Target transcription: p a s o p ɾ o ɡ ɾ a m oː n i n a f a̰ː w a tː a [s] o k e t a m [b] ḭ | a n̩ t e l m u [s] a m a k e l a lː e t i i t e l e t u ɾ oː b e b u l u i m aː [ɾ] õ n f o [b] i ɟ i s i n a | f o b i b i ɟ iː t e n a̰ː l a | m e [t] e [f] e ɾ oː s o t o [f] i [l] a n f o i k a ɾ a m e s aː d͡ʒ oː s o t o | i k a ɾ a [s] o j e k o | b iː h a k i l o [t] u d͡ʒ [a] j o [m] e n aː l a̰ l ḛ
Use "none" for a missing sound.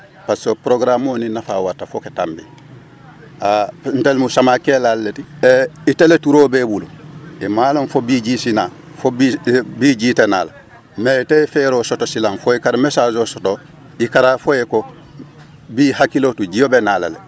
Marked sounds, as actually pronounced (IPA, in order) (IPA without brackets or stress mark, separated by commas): f, b, s, l, b, t, f, s, l, f, t, i, b